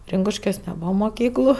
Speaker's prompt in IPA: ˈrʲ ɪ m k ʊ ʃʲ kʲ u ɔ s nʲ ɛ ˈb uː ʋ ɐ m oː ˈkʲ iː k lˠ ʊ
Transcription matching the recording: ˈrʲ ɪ ŋ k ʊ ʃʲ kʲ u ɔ s nʲ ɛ ˈb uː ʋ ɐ m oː ˈkʲ iː k lˠ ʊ